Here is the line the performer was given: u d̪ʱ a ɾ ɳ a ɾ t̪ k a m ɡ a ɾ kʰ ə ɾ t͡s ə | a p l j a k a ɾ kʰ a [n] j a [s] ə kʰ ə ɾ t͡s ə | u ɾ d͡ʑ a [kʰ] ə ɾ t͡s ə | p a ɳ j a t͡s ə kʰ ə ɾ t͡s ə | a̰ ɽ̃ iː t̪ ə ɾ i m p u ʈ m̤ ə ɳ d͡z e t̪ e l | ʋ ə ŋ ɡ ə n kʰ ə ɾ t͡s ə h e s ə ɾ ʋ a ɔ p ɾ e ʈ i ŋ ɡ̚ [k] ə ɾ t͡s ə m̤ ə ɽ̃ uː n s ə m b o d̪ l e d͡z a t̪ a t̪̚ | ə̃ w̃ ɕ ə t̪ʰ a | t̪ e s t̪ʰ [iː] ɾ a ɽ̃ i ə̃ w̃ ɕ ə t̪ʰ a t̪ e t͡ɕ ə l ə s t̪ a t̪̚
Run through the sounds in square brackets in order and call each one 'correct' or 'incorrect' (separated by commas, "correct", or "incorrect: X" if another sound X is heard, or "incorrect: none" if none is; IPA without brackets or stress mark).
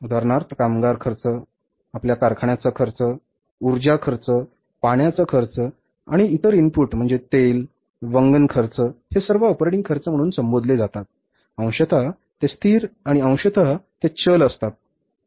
incorrect: ɳ, incorrect: t͡s, correct, incorrect: kʰ, correct